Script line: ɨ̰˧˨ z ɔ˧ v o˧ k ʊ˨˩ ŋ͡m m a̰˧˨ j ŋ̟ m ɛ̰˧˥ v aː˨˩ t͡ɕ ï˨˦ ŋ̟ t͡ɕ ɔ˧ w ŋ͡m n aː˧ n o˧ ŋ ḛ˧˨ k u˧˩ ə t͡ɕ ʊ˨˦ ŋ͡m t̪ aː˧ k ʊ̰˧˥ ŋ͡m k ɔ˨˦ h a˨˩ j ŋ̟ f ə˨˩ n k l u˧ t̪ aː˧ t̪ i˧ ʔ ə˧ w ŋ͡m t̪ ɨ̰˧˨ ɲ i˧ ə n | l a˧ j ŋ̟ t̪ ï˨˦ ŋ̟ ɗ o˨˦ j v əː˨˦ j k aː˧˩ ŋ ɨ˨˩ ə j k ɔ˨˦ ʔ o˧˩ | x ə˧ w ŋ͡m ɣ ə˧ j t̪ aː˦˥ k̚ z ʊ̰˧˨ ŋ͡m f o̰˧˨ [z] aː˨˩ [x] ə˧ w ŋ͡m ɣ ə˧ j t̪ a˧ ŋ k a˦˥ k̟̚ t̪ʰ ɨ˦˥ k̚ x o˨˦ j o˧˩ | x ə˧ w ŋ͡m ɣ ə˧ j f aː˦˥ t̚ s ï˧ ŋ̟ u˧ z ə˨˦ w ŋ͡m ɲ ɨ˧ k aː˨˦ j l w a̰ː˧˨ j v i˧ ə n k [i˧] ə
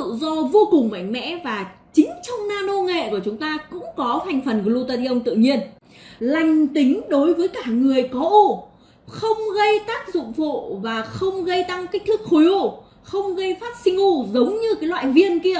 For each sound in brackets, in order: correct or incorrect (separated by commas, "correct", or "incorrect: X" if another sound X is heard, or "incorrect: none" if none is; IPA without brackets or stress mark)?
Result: incorrect: v, correct, correct